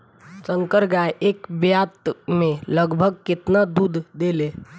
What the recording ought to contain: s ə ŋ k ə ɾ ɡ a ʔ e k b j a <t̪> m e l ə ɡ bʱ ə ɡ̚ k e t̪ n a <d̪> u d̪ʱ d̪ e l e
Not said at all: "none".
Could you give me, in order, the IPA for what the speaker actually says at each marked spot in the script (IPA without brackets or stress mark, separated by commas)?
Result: t̪, d̪